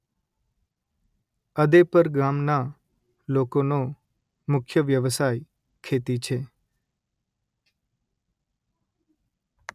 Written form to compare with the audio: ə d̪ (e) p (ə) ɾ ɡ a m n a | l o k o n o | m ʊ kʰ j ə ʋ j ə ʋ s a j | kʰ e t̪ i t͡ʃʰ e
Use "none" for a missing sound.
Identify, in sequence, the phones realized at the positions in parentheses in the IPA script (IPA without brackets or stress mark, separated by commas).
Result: e, ə